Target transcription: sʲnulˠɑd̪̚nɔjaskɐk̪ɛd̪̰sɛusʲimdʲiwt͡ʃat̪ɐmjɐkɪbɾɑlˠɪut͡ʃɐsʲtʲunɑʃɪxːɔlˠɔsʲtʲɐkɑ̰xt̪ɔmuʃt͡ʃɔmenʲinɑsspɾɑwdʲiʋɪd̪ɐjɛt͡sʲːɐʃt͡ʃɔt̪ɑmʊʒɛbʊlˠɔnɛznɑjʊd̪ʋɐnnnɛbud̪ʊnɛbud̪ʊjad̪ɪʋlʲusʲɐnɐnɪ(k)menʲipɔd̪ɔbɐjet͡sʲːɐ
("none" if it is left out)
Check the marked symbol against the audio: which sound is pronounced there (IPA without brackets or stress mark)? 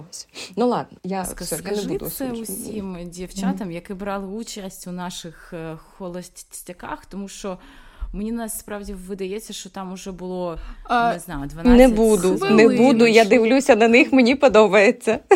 x